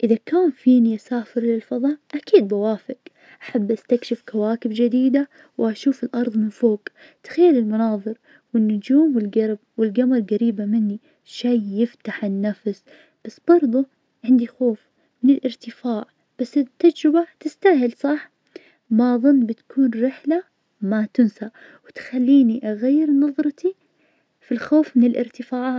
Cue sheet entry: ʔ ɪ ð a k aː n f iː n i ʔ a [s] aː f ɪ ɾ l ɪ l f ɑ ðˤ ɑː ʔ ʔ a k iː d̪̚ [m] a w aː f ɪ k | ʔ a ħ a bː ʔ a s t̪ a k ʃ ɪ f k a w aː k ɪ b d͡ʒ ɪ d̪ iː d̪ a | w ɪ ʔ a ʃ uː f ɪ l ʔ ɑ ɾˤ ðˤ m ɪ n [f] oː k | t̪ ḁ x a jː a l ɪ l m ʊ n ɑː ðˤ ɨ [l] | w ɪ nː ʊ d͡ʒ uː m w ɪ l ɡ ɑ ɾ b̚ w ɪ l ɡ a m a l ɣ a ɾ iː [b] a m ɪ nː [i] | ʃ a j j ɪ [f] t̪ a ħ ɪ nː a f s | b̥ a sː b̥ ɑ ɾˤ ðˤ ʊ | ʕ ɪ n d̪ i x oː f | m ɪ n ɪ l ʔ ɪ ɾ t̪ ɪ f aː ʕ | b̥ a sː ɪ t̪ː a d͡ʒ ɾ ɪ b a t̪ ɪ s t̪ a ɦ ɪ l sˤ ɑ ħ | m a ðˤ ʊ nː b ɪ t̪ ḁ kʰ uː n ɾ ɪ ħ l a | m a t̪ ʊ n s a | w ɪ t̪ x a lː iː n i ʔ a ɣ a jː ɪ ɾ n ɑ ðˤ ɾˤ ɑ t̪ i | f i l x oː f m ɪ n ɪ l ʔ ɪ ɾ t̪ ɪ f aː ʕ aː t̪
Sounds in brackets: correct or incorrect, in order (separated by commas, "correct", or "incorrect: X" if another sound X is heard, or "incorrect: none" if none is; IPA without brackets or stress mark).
correct, incorrect: b, correct, incorrect: ɾ, correct, correct, correct